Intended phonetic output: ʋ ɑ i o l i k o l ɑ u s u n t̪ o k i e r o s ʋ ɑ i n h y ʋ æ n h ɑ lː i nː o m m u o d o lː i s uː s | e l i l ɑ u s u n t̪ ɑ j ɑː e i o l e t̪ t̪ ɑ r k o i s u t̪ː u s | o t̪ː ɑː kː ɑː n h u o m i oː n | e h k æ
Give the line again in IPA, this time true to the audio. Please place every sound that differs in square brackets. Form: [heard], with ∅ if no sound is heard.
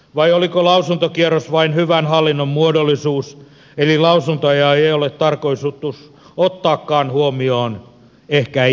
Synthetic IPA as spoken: ʋ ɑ i o l i k o l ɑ u s u n t̪ o k i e r o s ʋ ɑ i n h y ʋ æ n h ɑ lː i nː o m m u o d o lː i s uː s | e l i l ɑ u s u n t̪ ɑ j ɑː e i o l e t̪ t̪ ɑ r k o i s u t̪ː u s | o t̪ː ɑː kː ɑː n h u o m i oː n | e h k æ